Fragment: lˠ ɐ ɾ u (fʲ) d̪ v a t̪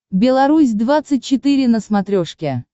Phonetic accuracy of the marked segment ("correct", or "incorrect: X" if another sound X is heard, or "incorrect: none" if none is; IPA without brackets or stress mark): incorrect: sʲ